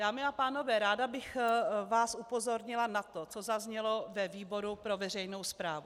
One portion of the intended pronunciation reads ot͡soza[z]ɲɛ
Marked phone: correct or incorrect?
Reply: correct